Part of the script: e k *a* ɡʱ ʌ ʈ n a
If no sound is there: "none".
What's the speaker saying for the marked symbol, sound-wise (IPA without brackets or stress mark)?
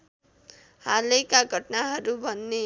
a